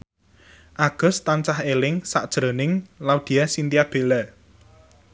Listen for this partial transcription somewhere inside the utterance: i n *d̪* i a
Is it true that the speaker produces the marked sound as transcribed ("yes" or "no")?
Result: no